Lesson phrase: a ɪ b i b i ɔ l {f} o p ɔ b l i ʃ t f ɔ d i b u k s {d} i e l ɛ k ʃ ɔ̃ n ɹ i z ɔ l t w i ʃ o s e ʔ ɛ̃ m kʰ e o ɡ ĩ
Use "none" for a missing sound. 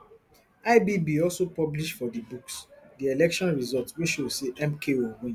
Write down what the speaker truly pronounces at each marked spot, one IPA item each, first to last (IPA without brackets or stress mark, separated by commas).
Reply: s, d